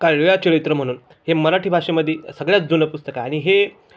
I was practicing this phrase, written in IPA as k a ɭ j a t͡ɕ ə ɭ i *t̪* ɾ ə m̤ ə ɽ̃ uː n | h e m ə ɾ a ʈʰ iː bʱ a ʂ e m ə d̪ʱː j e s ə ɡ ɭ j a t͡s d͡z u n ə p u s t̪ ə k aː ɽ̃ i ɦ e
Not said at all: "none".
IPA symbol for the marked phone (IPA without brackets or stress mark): t̪